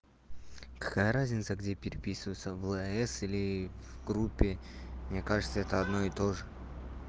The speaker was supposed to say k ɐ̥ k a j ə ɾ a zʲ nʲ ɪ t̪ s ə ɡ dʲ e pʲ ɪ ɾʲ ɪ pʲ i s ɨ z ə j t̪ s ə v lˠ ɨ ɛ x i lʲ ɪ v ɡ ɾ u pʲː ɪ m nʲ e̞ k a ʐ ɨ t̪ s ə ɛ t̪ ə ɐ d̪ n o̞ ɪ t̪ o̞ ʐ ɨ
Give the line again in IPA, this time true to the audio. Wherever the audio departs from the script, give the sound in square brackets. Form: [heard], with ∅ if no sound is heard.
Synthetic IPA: k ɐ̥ k a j ə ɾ a zʲ nʲ ɪ t̪ s ə ɡ dʲ e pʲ ɪ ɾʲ ɪ pʲ i s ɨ [v] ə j t̪ s ə v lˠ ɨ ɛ [s] i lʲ ɪ v ɡ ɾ u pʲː ɪ m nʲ e̞ k a ʐ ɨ t̪ s ə ɛ t̪ ə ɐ d̪ n o̞ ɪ t̪ o̞ ʐ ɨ

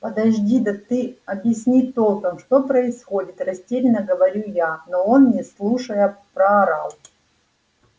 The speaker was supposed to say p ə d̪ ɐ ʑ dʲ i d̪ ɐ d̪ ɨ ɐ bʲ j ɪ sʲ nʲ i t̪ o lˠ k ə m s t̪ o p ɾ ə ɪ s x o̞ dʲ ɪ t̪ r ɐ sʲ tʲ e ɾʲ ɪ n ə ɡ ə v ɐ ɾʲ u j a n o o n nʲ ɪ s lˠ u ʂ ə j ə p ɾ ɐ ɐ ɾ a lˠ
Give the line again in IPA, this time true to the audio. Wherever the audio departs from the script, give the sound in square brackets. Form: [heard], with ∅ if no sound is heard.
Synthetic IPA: p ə d̪ ɐ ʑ dʲ i d̪ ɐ [t̪] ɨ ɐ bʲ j ɪ sʲ nʲ i t̪ o lˠ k ə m [ʂ] t̪ o p ɾ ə ɪ s x o̞ dʲ ɪ t̪ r ɐ sʲ tʲ e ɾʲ ɪ n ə ɡ ə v ɐ ɾʲ u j a n o o n nʲ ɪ s lˠ u ʂ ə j ə p ɾ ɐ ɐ ɾ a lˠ

